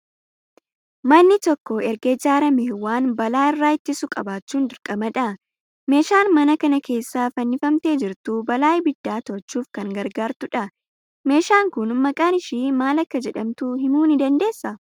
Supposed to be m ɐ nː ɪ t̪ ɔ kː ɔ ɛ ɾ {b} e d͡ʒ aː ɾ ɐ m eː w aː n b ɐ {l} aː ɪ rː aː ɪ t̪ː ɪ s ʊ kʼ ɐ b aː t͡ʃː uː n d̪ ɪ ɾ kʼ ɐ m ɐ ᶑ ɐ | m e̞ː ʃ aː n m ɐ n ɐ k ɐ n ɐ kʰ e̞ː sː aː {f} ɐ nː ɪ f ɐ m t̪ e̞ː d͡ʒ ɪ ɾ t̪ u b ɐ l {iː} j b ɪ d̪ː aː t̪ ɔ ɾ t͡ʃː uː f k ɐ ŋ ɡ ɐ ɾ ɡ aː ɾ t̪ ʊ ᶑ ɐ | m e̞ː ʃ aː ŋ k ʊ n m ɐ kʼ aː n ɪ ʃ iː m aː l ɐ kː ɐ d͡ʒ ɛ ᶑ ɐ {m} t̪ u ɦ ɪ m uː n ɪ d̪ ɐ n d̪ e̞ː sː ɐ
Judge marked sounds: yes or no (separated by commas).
no, yes, yes, no, yes